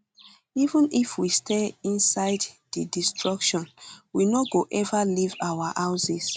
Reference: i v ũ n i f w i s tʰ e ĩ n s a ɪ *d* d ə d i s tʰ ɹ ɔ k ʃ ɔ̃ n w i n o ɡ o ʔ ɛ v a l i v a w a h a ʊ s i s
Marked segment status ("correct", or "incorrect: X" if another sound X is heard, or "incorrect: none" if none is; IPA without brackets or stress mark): correct